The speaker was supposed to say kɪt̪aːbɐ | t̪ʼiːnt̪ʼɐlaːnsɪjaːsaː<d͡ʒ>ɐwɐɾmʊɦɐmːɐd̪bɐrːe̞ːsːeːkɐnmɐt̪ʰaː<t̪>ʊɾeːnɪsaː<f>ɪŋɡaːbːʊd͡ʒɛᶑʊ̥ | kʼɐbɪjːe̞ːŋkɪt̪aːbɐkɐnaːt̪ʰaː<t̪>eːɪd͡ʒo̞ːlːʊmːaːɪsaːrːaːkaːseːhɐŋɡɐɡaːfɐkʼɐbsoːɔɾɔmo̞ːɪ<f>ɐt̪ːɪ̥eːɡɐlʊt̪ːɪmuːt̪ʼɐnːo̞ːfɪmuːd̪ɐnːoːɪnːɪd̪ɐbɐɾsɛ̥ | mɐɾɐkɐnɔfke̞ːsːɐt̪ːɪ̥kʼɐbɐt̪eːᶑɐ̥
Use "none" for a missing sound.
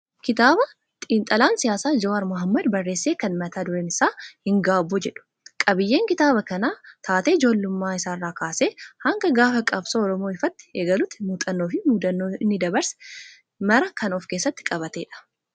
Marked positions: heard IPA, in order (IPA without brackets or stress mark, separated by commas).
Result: d͡ʒ, d̪, h, t̪, f